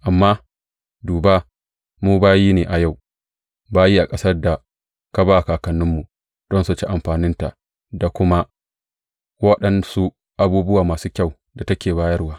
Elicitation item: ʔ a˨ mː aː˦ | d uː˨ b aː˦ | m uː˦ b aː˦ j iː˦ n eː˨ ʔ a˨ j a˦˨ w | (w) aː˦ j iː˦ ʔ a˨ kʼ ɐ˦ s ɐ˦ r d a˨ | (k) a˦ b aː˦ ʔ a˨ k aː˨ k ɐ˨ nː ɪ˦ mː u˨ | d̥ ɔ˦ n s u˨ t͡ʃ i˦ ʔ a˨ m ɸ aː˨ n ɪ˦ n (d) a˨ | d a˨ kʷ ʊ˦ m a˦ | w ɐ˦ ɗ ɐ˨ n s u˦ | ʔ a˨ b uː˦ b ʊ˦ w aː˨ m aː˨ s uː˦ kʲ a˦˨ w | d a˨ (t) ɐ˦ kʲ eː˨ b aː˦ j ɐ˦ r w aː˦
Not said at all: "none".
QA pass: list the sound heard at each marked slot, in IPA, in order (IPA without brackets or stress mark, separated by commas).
b, k, t, t